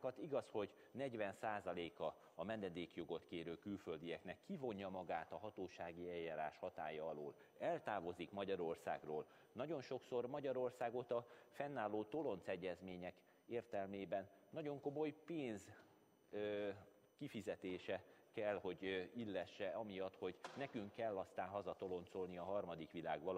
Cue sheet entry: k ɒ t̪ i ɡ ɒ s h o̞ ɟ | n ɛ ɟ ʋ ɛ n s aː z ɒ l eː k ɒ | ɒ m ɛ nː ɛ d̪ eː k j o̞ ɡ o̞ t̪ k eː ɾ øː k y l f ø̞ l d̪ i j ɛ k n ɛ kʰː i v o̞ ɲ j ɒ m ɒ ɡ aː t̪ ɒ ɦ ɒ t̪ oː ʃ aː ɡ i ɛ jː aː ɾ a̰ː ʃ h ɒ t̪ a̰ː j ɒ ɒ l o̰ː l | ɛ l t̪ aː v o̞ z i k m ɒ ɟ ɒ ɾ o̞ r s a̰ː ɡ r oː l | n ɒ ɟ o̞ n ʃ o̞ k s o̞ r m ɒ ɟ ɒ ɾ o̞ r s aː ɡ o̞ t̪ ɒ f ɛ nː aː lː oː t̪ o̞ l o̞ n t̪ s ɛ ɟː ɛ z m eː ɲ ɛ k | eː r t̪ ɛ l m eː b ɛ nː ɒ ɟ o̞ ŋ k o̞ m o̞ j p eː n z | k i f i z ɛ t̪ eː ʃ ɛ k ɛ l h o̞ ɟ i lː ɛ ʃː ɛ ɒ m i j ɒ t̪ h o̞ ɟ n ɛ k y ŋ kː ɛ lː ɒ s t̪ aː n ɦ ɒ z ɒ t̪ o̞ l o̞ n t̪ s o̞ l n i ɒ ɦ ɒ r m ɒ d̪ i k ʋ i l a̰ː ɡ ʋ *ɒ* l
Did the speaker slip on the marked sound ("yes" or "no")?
no